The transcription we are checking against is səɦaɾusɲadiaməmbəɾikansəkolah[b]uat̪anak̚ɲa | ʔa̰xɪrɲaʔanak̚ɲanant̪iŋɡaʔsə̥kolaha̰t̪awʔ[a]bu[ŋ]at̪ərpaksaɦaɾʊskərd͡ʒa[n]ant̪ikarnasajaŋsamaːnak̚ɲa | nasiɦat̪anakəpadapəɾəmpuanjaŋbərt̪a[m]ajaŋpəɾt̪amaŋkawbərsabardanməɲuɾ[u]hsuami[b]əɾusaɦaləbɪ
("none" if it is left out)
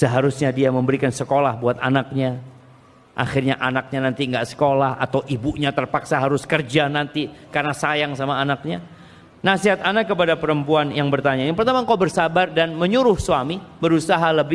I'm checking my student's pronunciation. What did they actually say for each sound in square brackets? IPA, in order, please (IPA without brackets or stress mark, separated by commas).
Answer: b, i, ɲ, n, ɲ, ʊ, b